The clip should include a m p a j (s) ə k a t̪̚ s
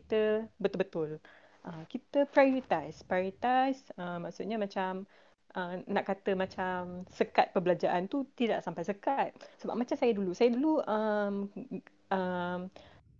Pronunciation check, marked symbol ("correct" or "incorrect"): correct